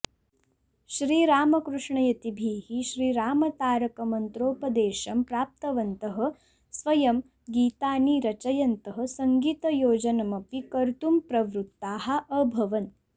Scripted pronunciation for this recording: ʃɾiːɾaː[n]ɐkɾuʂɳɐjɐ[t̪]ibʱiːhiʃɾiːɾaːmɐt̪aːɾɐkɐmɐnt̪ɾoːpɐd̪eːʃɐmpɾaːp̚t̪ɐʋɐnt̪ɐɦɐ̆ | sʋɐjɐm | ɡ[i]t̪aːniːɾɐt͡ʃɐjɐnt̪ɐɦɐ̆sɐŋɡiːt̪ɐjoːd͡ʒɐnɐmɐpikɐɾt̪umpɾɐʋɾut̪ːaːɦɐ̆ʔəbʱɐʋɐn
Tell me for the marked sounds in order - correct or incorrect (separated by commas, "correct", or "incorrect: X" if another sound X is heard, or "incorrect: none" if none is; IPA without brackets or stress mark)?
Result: incorrect: m, correct, incorrect: iː